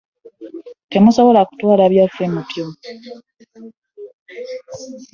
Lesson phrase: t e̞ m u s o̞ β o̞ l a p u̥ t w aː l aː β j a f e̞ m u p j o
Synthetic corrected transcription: t e̞ m u s o̞ β o̞ l a k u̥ t w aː l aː β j a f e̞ m u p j o

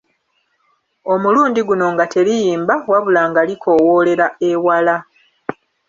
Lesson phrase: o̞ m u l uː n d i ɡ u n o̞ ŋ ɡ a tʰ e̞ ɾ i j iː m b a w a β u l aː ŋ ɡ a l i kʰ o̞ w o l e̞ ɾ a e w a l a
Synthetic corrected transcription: o̞ m u l uː n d i ɡ u n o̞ ŋ ɡ a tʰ e̞ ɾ i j iː m b a w a β u l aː ŋ ɡ a l i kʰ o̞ w o l e̞ ɾ a e w a l a

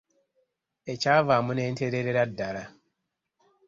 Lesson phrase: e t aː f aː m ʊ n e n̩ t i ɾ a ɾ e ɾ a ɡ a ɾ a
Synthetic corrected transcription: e t͡ʃ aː v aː m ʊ n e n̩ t e ɾ e ɾ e ɾ a d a ɾ a

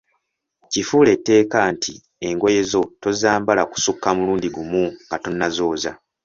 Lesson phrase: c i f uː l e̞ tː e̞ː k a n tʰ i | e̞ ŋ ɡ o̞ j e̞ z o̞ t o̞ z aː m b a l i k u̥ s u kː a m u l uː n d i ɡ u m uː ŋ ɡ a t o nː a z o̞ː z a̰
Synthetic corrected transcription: c i f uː l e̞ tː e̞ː k a n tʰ i | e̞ ŋ ɡ o̞ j e̞ z o̞ t o̞ z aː m b a l a k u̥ s u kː a m u l uː n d i ɡ u m u ŋ ɡ a t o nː a z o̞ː z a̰

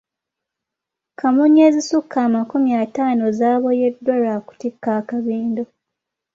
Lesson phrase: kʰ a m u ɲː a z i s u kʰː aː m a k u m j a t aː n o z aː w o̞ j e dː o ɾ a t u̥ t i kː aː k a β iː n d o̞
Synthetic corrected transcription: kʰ a m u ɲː e z i s u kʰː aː m a k u m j a t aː n o z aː β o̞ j e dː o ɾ a k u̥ t i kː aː k a β iː n d o̞

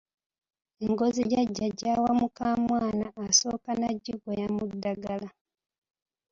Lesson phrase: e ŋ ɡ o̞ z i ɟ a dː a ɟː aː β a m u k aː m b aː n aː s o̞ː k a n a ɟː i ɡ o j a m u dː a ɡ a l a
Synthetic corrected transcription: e ŋ ɡ o̞ z i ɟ a ɟː a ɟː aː w a m u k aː m w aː n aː s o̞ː k a n a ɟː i ɡ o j a m u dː a ɡ a l a

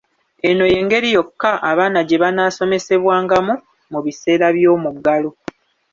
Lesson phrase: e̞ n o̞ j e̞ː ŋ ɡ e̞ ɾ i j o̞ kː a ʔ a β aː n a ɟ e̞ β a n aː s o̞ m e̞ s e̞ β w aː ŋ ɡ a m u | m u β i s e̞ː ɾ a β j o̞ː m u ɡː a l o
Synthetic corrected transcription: e̞ n o̞ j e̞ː ŋ ɡ e̞ ɾ i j o̞ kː a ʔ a β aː n a ɟ e̞ β a n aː s o̞ m e̞ s e̞ β w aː ŋ ɡ a m u | m u β i s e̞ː ɾ a β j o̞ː m u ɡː a l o

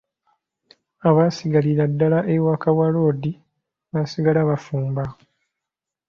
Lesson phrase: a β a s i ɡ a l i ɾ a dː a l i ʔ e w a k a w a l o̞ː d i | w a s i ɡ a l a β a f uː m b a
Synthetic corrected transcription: a β a s i ɡ a l i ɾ a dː a l a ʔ e w a k a w a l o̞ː d i | β a s i ɡ a l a β a f uː m b a

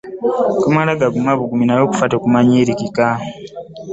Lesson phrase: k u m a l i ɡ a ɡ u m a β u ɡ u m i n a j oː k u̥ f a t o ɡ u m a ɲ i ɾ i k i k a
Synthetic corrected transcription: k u m a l a ɡ a ɡ u m a β u ɡ u m i n a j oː k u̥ f a t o k u m a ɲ i ɾ i k i k a

